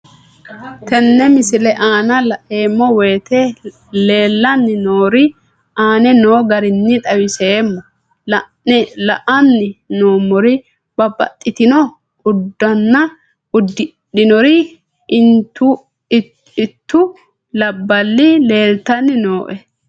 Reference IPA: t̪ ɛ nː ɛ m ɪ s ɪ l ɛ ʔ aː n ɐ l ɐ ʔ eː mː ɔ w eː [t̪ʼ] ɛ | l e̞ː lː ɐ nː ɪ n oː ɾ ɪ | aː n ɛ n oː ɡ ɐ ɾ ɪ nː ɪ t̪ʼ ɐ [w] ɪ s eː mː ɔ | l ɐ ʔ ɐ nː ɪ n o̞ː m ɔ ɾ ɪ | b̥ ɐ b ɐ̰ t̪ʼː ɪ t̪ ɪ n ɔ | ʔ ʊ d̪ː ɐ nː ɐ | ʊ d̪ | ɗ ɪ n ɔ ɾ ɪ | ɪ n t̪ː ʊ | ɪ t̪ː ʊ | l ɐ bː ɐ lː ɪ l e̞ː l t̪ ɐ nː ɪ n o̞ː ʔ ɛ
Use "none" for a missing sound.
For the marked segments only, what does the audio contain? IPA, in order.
t̪, w

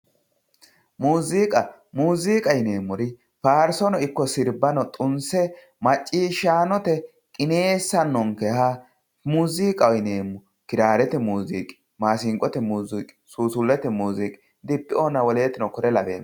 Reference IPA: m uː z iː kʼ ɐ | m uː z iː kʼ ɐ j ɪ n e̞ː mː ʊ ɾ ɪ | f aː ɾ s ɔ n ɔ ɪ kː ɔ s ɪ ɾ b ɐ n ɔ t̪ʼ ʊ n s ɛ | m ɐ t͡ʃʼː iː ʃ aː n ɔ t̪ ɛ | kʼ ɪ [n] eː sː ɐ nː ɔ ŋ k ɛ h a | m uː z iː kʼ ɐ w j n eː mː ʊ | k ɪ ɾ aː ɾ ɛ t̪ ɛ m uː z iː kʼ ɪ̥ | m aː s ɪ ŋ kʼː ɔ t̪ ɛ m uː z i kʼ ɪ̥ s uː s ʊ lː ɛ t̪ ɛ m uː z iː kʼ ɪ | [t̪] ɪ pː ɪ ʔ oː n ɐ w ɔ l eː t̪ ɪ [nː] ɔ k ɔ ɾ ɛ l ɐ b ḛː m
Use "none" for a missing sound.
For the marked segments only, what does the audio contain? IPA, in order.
n, d̪, n

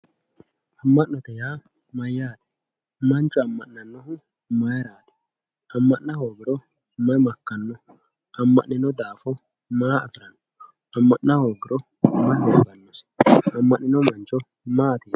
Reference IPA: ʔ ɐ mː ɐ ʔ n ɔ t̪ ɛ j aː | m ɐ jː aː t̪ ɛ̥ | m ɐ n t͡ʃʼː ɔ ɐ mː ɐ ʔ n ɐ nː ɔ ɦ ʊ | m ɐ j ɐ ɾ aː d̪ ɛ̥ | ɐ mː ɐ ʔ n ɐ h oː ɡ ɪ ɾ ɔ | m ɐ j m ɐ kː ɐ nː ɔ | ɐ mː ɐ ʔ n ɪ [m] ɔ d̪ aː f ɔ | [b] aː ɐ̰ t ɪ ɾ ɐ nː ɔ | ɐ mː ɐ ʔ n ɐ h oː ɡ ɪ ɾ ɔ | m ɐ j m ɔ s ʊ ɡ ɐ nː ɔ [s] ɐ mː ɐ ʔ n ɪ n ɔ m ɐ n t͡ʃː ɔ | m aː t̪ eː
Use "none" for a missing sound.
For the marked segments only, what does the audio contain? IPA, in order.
n, m, s

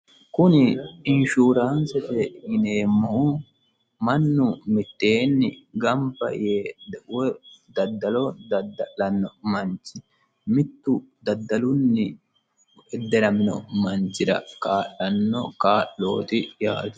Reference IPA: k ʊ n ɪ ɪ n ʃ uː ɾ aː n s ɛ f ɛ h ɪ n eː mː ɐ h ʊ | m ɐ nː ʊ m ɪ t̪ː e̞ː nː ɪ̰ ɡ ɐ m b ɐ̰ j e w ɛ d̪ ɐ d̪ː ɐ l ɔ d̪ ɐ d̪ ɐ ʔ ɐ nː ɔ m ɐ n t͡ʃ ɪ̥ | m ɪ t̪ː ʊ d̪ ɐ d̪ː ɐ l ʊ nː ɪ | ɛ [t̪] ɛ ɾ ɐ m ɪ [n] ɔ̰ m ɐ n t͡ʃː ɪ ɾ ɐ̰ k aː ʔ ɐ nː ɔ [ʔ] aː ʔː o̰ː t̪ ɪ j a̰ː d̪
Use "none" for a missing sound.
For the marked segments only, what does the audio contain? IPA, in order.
d̪, n, k

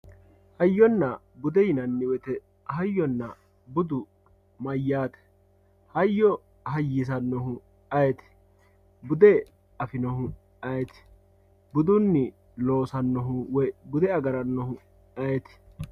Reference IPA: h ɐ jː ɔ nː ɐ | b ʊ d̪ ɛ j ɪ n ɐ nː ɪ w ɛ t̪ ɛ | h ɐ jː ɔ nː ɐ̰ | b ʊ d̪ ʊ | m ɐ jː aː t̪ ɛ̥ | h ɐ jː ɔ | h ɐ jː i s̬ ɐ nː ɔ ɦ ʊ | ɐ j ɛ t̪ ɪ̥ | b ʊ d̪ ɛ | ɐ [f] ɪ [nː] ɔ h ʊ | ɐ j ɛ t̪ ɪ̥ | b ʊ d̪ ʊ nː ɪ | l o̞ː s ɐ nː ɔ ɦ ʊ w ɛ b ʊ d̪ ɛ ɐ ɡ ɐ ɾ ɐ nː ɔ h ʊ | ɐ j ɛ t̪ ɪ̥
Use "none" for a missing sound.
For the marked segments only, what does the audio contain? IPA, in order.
f, n

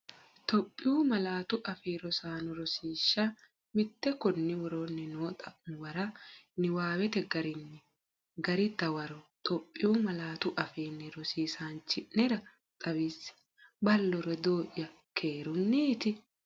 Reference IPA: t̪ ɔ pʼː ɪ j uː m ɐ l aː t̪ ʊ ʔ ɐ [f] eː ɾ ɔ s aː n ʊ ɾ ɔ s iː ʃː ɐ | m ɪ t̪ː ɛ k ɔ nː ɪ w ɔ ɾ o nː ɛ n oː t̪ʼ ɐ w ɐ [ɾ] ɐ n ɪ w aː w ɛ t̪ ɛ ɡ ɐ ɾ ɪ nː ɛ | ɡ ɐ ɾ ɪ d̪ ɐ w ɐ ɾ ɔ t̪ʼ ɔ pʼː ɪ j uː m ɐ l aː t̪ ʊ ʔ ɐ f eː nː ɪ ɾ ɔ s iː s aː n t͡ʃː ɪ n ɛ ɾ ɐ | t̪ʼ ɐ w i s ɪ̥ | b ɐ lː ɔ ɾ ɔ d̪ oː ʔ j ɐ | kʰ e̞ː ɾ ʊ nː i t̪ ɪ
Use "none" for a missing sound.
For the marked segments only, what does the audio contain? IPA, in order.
f, ɾ

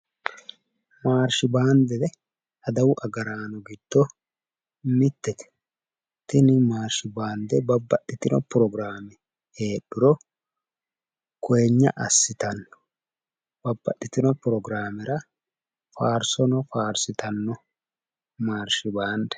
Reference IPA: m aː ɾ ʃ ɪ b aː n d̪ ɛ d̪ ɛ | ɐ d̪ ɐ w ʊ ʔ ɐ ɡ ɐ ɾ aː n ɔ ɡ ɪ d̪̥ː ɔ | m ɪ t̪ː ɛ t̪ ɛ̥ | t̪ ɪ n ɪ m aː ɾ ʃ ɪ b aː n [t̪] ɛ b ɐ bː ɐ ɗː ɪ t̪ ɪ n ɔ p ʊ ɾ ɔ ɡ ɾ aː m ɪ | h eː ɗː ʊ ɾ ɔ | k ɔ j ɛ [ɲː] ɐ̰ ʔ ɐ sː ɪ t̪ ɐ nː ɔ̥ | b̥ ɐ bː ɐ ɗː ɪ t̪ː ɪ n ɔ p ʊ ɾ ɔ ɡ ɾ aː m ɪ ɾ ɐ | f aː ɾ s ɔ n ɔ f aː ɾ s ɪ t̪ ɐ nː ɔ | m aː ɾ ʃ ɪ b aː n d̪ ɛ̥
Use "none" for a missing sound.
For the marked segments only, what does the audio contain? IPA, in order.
d̪, ɲː

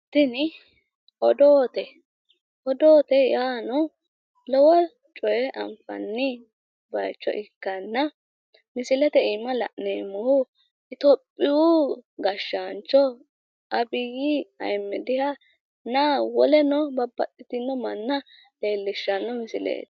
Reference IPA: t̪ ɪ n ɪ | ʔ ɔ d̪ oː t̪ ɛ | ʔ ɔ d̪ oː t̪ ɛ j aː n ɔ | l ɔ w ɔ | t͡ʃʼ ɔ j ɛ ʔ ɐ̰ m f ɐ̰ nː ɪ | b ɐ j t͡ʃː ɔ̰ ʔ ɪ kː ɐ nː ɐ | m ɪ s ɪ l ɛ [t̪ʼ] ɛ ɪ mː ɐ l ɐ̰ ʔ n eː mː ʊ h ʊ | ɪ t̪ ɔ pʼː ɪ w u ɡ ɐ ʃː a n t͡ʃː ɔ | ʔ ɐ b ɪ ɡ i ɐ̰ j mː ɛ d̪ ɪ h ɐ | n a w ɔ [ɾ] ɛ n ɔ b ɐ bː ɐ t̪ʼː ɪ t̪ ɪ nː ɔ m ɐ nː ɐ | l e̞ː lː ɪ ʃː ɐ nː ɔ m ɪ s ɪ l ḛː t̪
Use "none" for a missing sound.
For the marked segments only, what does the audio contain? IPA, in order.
t̪, l

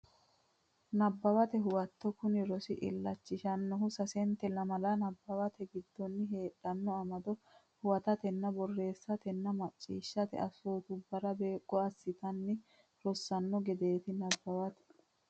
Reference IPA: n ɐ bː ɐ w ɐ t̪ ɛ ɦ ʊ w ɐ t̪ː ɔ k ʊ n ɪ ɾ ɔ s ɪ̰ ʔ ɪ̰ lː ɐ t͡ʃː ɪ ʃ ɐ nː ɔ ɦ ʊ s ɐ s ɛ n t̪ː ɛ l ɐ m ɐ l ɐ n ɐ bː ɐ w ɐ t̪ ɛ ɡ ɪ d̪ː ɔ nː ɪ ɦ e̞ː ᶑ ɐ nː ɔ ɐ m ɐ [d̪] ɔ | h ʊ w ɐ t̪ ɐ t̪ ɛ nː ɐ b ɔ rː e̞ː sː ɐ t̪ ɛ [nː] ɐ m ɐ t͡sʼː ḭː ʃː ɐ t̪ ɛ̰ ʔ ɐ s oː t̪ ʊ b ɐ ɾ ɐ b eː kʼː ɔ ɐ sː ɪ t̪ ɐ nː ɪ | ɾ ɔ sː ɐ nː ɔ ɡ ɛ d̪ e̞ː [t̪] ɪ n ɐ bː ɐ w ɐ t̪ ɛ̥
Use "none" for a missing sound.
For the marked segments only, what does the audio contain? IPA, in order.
d̪, nː, t̪

